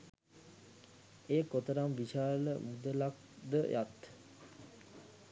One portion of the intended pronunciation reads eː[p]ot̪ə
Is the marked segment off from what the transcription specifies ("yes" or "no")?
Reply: yes